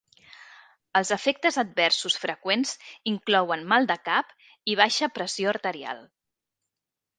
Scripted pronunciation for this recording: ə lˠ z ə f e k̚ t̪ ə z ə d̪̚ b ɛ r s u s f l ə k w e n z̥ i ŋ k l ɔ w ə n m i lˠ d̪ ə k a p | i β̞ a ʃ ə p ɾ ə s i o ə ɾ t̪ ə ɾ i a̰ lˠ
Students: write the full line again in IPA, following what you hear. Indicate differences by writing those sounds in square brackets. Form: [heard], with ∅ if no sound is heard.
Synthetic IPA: ə lˠ z ə f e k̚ t̪ ə z ə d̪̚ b ɛ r s u s f [ɾ] ə k w e n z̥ i ŋ k l ɔ w ə n m [a] lˠ d̪ ə k a p | i β̞ a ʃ ə p ɾ ə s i o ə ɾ t̪ ə ɾ i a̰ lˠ